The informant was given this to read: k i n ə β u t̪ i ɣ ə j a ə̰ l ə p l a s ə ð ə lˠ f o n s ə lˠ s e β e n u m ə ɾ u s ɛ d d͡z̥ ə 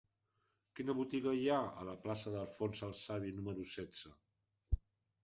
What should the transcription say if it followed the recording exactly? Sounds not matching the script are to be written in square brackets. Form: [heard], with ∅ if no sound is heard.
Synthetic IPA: k i n ə β u t̪ i ɣ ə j a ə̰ l ə p l a s ə ð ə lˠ f o n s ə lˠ s [a] β [i] n u m ə ɾ u s ɛ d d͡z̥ ə